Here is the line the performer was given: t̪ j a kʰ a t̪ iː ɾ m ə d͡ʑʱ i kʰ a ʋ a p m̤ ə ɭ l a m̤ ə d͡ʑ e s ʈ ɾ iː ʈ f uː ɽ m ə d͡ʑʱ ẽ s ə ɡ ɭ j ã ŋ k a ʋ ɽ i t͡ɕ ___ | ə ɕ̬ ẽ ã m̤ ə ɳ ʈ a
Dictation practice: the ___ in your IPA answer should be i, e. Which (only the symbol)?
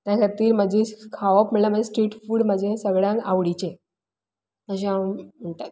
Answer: e